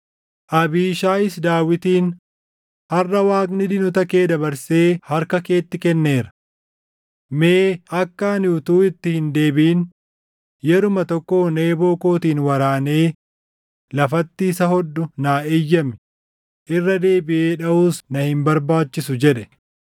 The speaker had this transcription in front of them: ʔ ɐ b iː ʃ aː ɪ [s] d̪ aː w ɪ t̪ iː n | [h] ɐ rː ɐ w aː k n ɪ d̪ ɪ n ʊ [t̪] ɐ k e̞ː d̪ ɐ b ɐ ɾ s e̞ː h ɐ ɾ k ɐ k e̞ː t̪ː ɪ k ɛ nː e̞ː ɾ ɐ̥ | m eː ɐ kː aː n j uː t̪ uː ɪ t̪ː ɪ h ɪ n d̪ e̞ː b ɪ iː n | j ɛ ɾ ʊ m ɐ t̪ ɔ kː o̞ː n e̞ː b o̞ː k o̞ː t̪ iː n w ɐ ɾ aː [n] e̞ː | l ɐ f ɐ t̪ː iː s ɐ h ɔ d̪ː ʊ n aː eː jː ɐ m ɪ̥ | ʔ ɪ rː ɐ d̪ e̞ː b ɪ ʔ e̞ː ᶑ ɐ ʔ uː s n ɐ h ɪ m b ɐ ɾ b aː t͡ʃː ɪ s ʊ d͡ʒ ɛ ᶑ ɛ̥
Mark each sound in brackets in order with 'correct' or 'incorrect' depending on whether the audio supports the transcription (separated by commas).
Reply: correct, correct, correct, correct